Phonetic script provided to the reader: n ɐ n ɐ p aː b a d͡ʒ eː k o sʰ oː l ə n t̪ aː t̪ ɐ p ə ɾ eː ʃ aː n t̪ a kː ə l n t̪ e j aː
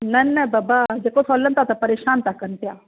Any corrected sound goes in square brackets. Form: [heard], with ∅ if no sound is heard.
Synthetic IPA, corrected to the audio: n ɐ n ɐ [b] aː b a d͡ʒ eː k o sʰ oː l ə n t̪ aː t̪ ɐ p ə ɾ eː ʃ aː n t̪ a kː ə [∅] n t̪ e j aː